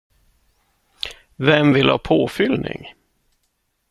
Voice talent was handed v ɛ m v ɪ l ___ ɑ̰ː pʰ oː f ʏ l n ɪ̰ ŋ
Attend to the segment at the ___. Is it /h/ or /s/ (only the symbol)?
h